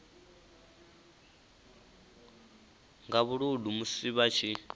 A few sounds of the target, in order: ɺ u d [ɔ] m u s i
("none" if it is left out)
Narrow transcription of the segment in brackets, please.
u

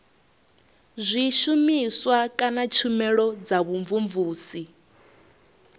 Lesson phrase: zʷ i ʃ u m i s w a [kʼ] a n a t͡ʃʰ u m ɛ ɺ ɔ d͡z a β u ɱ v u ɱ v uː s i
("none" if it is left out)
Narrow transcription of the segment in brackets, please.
kʼ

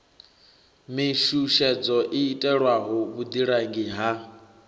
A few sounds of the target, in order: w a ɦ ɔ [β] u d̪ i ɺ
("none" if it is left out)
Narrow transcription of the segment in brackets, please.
β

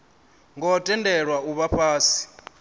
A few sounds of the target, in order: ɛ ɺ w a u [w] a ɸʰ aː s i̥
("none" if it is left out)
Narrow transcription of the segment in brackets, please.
β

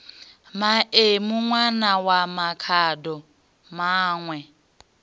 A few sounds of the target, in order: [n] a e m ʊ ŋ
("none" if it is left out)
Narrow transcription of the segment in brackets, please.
m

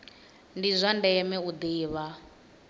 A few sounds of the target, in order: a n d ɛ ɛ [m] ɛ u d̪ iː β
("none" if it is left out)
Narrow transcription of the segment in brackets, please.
m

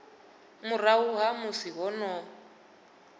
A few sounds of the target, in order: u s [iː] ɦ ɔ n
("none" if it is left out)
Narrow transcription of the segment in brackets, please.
i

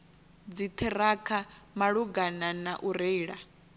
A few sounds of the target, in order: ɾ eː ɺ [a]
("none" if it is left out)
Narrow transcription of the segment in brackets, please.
a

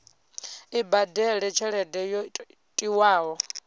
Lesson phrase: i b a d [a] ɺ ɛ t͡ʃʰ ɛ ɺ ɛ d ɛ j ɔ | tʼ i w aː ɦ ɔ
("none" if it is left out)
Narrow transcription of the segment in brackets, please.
ɛ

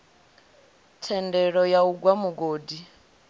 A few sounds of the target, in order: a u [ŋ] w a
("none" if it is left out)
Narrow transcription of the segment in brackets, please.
ɡ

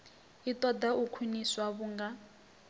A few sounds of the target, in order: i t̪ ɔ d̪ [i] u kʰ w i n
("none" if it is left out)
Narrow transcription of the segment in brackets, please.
a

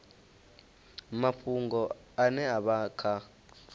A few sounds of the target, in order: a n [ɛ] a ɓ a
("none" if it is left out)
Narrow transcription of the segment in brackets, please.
ɛ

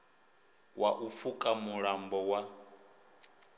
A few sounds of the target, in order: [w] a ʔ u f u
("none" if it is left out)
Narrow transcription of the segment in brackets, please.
w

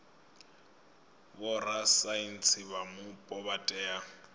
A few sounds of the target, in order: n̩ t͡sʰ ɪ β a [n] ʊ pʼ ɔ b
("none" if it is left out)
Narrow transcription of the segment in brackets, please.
m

